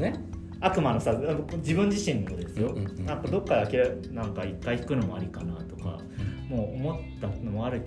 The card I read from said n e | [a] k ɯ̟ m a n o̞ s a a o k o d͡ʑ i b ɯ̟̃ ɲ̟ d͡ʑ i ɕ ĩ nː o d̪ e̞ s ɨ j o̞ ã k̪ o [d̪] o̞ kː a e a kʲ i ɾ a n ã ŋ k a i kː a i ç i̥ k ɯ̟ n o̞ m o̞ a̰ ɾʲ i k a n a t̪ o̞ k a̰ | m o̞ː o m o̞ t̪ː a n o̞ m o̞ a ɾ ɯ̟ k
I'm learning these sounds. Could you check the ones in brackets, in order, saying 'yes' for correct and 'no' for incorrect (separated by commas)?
yes, yes